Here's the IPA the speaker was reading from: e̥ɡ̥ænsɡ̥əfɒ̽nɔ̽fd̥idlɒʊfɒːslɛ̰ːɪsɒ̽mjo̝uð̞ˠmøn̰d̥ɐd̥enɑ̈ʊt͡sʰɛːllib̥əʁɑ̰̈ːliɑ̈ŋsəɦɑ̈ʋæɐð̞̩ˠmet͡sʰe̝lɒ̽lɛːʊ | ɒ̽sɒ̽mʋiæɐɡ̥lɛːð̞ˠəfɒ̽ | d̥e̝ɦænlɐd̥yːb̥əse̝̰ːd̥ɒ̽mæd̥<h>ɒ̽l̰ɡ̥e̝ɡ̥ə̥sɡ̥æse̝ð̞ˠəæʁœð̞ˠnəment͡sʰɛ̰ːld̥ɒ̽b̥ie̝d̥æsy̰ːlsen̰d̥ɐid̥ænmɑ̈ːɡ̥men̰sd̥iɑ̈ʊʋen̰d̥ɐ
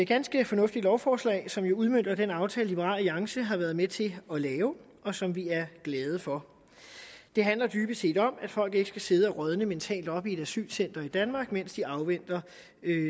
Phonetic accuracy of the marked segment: incorrect: f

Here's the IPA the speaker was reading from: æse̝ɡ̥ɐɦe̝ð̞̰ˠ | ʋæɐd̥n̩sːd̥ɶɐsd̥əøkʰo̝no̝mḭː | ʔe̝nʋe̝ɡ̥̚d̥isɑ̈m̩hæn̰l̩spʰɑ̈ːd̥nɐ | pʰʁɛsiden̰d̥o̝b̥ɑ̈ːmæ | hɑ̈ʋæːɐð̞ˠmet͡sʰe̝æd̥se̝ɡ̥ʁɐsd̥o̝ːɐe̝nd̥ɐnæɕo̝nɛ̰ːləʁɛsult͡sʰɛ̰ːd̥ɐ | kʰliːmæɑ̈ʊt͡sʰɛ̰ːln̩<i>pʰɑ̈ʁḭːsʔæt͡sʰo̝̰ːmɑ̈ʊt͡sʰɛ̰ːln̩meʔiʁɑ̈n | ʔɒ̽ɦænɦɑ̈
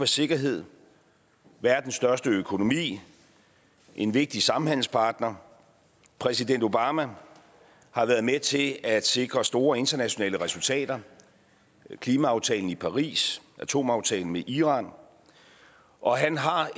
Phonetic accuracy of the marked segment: correct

